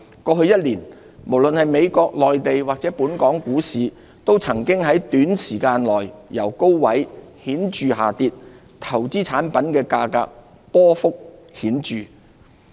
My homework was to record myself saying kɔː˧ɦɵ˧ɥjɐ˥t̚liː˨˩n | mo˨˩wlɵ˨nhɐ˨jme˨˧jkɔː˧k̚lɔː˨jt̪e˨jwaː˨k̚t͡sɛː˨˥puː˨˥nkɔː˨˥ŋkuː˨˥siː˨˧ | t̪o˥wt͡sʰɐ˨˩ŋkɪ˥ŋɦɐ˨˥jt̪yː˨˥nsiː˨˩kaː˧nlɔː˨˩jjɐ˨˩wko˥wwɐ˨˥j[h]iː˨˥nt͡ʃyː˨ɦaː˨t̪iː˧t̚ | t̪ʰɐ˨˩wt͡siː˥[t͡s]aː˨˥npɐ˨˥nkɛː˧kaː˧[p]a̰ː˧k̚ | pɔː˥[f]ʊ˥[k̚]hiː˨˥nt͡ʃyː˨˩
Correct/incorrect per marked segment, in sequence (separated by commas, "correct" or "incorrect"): correct, incorrect, incorrect, correct, correct